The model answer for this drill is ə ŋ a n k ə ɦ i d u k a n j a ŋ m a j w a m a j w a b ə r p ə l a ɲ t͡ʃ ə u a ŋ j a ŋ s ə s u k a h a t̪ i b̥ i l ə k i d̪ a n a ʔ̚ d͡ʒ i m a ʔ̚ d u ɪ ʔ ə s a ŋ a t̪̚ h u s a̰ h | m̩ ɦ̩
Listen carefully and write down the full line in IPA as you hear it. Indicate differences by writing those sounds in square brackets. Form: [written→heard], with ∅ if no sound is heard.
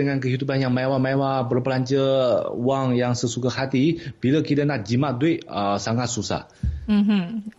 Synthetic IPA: ə ŋ a n k ə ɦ i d u [k→p] a n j a ŋ m a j w a m a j w a b ə r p ə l a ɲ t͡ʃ ə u a ŋ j a ŋ s ə s u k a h a t̪ i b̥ i l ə k i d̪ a n a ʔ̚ d͡ʒ i m a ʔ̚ d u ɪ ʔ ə s a ŋ a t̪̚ [h→s] u s a̰ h | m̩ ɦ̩